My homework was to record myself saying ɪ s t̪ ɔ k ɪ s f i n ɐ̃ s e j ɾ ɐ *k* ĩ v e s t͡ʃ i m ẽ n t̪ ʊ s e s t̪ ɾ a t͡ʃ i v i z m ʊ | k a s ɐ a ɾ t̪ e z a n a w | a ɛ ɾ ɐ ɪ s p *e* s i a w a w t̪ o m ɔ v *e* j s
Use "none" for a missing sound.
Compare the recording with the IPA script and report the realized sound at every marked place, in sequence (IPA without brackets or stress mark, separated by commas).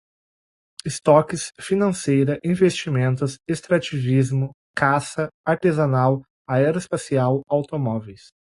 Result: ʔ, a, e